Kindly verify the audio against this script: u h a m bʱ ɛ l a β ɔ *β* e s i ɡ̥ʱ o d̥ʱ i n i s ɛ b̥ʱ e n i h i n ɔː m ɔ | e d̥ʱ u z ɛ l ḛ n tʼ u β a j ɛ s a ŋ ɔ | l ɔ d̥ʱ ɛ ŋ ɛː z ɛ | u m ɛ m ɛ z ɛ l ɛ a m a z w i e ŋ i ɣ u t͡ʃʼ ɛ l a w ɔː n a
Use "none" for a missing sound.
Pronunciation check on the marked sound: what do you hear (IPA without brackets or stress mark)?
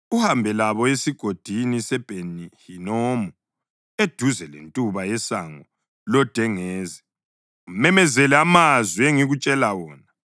none